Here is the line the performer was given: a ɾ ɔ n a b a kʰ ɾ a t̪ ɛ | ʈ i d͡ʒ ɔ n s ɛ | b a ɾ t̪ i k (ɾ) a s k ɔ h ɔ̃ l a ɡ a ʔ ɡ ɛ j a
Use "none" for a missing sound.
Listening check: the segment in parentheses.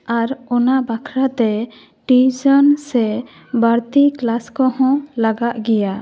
l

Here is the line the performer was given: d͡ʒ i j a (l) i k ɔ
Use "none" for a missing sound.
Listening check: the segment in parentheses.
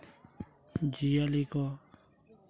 l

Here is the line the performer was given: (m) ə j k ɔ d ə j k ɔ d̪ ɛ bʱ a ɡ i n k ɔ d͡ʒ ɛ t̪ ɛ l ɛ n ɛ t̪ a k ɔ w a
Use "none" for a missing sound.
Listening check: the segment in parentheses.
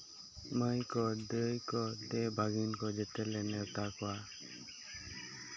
m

